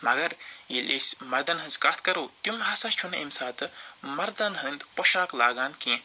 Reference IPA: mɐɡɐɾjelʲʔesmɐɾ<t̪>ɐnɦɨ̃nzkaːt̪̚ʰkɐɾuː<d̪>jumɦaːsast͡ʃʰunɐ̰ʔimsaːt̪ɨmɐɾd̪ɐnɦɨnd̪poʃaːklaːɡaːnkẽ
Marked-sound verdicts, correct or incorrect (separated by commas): incorrect, incorrect